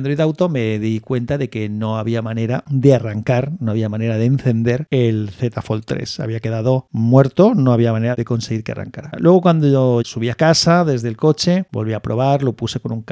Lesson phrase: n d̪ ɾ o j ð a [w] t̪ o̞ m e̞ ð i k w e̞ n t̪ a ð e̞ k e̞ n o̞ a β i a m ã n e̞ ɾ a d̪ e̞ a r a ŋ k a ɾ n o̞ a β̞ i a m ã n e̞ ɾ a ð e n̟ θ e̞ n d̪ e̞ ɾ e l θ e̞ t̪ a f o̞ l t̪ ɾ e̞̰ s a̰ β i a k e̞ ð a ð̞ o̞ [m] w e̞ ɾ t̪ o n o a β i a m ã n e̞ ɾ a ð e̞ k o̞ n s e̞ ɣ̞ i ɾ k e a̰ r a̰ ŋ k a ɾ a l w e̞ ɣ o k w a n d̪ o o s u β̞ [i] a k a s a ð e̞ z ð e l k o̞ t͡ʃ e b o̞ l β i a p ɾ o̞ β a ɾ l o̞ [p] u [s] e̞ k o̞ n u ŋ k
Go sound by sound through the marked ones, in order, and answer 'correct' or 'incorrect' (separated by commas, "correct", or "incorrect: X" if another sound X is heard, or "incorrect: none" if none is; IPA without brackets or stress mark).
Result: correct, correct, correct, correct, correct